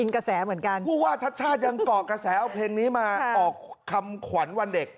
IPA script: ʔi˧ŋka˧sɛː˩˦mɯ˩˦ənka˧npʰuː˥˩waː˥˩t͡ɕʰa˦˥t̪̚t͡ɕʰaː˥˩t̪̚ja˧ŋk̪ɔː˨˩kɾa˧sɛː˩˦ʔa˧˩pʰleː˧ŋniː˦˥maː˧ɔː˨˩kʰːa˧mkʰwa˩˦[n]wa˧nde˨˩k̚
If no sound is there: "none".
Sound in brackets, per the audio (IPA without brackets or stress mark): n